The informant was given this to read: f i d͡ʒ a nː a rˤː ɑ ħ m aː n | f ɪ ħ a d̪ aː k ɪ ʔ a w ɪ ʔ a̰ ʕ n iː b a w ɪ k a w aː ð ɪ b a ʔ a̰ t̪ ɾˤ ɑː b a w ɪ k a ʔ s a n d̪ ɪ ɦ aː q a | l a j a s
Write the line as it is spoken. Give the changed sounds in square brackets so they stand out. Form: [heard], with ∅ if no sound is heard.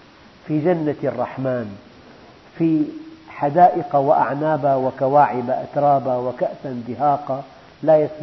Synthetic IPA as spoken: f i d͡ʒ a nː a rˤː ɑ ħ m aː n | f [i] ħ a d̪ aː [ʔ] ɪ [q] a w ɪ ʔ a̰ ʕ n [aː] b a w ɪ k a w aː [ʕ] ɪ b a ʔ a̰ t̪ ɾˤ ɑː b a w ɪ k a ʔ s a n d̪ ɪ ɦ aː q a | l a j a s